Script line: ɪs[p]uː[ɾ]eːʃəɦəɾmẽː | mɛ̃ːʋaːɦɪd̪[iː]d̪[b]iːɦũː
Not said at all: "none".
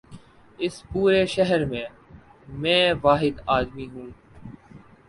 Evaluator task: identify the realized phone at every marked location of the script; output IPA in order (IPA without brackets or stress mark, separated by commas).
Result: p, ɾ, aː, m